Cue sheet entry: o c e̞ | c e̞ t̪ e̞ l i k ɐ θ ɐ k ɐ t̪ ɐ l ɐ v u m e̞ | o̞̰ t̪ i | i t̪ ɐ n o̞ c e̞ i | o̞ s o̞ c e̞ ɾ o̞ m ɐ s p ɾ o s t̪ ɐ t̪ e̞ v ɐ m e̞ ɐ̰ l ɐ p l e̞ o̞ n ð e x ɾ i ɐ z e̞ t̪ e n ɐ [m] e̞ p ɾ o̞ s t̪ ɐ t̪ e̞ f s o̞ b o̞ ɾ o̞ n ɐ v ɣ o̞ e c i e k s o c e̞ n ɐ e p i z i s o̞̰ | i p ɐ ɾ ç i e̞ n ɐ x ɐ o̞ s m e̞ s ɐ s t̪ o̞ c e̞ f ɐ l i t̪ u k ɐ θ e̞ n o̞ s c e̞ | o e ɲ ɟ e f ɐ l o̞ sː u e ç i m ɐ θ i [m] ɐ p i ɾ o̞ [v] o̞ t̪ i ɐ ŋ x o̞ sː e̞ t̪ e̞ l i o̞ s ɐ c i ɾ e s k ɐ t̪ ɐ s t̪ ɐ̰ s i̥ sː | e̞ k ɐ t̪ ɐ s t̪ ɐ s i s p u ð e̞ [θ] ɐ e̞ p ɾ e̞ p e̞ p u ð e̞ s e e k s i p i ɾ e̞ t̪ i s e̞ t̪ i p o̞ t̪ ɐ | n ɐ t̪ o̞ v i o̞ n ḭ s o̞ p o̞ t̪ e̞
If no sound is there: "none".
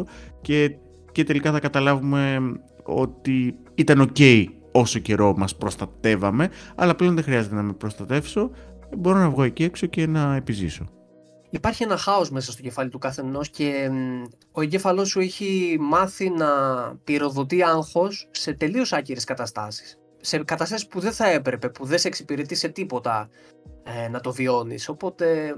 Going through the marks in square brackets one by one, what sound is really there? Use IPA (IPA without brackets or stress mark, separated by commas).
m, n, ð, θ